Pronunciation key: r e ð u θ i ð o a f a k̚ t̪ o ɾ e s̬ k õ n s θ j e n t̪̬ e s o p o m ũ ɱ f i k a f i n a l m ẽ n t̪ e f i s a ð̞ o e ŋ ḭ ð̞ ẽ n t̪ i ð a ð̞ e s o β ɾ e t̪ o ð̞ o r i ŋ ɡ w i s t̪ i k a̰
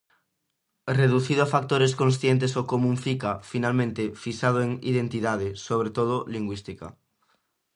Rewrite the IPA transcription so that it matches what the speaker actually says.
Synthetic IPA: r e ð u θ i ð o a f a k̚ t̪ o ɾ e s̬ k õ n s θ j e n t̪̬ e s o k o m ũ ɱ f i k a f i n a l m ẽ n t̪ e f i s a ð̞ o e ŋ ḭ ð̞ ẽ n t̪ i ð a ð̞ e s o β ɾ e t̪ o ð̞ o l i ŋ ɡ w i s t̪ i k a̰